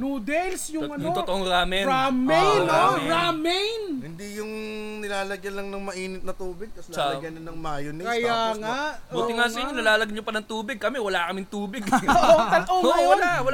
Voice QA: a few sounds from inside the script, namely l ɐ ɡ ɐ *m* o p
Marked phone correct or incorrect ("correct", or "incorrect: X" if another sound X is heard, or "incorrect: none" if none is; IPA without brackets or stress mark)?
incorrect: ɲ